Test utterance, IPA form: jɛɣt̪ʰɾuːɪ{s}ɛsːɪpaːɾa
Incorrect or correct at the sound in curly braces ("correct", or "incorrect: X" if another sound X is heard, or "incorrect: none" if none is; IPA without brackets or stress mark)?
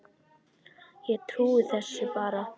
incorrect: θ